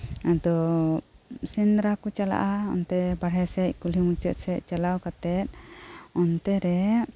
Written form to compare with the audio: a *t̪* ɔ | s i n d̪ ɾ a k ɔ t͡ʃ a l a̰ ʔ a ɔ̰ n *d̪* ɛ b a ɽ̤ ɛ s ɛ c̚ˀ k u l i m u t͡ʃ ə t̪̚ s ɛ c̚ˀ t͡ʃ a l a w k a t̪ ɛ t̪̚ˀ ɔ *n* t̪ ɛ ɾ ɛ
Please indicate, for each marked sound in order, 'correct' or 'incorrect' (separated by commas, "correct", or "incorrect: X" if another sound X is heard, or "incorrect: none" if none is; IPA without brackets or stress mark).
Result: incorrect: d̪, incorrect: t̪, correct